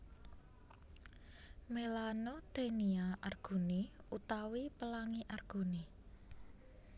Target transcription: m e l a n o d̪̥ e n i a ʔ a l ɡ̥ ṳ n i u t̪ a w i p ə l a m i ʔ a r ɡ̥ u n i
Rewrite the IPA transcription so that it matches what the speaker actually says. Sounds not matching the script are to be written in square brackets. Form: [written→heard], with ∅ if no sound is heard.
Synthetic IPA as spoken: m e l a n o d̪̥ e n i a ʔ a [l→r] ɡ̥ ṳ n i u t̪ a w i p ə l a [m→ŋ] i ʔ a r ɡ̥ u n i